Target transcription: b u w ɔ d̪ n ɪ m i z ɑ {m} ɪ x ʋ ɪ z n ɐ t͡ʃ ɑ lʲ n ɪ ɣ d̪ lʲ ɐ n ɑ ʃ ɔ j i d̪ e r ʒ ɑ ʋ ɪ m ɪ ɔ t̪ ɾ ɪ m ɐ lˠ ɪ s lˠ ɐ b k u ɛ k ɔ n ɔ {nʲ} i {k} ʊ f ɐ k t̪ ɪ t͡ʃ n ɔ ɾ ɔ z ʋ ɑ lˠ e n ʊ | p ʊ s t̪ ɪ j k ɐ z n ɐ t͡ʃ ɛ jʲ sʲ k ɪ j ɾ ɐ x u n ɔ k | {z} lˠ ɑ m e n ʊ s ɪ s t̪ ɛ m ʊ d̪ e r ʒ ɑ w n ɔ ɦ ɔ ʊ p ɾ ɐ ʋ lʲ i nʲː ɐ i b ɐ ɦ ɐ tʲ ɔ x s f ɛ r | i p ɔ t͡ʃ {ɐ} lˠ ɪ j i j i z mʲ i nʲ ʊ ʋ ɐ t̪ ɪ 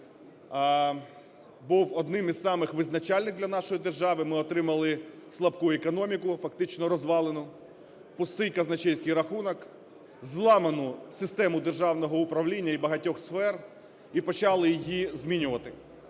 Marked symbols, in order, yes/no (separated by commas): yes, no, yes, yes, no